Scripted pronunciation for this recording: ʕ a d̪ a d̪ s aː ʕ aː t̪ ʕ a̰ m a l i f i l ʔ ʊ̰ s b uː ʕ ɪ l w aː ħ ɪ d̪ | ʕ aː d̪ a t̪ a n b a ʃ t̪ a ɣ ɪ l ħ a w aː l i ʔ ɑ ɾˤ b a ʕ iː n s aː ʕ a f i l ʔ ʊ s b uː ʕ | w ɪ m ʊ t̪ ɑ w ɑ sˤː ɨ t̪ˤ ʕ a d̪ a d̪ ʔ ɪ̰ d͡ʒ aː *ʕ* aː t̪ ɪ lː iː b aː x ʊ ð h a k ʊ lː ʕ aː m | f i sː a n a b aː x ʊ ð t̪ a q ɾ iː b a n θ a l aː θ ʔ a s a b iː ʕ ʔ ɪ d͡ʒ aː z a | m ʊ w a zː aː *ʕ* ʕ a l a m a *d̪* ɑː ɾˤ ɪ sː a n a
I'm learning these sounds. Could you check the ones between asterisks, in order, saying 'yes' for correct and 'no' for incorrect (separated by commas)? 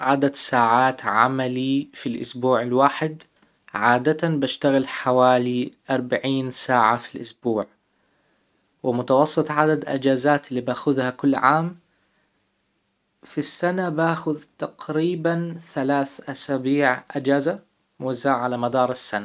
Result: no, yes, yes